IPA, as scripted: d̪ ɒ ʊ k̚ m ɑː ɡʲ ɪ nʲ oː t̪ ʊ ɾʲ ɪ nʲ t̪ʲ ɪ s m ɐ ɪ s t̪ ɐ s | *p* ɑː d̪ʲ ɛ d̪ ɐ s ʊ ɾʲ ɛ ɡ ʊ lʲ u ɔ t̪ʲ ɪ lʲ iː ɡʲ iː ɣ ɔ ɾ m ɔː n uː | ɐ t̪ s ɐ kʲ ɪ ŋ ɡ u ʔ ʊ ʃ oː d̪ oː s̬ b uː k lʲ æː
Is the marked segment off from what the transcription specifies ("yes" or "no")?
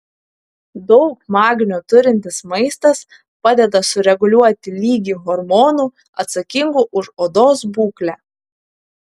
no